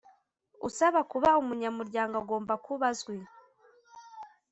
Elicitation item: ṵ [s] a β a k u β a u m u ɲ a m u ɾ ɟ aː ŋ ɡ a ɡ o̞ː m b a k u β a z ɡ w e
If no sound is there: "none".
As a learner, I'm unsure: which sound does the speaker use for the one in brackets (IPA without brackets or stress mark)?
s